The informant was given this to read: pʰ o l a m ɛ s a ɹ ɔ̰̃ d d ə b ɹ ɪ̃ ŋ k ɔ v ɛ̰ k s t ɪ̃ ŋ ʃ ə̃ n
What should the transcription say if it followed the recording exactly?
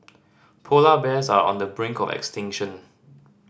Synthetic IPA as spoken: pʰ o l a b ɛ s a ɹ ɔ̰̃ n d ə b ɹ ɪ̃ ŋ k ɔ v ɛ̰ k s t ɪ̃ ŋ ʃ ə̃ n